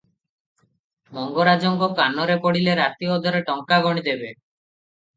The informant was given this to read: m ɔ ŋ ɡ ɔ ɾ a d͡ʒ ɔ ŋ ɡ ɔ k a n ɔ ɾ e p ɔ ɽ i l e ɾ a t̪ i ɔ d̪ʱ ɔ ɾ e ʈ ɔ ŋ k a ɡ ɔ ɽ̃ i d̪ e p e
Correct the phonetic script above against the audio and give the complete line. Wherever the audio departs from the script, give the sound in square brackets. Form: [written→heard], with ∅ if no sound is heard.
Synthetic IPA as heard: m ɔ ŋ ɡ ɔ ɾ a d͡ʒ ɔ ŋ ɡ ɔ k a n ɔ ɾ e p ɔ ɽ i l e ɾ a t̪ i ɔ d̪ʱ ɔ ɾ e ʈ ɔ ŋ k a ɡ ɔ ɽ̃ i d̪ e [p→b] e